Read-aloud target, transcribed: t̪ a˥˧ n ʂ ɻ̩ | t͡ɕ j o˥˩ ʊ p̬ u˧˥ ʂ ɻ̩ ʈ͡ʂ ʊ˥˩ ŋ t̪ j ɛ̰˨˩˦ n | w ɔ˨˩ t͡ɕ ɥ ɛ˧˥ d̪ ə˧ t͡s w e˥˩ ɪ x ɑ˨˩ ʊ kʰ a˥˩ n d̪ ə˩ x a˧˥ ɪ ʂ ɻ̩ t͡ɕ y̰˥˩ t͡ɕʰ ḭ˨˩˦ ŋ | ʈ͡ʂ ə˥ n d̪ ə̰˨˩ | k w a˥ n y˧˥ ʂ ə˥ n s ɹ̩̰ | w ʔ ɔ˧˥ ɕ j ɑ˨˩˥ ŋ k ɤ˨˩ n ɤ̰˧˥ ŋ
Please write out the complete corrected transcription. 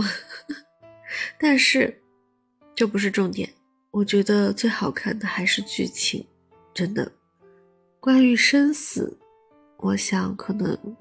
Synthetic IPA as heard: t̪ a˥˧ n ʂ ɻ̩ | t͡ɕ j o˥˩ ʊ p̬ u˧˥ ʂ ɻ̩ ʈ͡ʂ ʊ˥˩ ŋ t̪ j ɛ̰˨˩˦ n | w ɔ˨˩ t͡ɕ ɥ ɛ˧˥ d̪ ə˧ t͡s w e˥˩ ɪ x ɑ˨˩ ʊ kʰ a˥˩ n d̪ ə˩ x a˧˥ ɪ ʂ ɻ̩ t͡ɕ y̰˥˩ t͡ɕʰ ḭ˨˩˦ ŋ | ʈ͡ʂ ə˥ n d̪ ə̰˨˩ | k w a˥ n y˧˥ ʂ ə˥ n s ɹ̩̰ | w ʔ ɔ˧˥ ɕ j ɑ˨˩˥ ŋ kʰ ɤ˨˩ n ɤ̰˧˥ ŋ